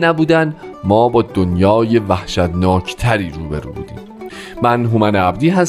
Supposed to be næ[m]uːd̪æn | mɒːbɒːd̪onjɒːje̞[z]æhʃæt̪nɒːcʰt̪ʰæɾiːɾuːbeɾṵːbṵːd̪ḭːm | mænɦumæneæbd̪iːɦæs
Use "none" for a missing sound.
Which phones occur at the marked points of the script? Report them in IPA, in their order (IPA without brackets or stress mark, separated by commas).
b, v